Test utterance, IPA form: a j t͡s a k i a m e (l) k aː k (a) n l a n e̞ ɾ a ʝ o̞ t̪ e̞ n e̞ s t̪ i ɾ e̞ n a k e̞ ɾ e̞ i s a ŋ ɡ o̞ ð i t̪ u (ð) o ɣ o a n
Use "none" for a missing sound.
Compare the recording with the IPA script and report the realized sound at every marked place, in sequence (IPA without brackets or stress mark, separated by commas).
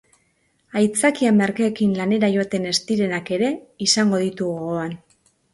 ɾ, i, ɣ